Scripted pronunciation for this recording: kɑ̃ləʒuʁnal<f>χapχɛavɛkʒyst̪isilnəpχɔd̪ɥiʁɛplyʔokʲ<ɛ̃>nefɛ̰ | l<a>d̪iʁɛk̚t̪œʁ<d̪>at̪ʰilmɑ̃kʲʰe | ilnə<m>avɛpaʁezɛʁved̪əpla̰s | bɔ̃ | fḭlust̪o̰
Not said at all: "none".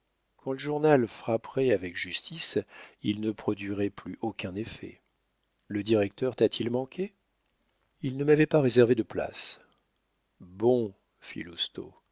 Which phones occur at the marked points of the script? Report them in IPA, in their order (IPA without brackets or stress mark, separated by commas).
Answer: f, ɛ̃, ə, t̪, m